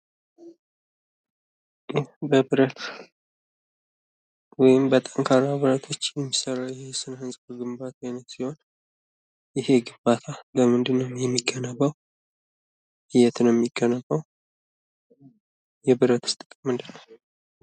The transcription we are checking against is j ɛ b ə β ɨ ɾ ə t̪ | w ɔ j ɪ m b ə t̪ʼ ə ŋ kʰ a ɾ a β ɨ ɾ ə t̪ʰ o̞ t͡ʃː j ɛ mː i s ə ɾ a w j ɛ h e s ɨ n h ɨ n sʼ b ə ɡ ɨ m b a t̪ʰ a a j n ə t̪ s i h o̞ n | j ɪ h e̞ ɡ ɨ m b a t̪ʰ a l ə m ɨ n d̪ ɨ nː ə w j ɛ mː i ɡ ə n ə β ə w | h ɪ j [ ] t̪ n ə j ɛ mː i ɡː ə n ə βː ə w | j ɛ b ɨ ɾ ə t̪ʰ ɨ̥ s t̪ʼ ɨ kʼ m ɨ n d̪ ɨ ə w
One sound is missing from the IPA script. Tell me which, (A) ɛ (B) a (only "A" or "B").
A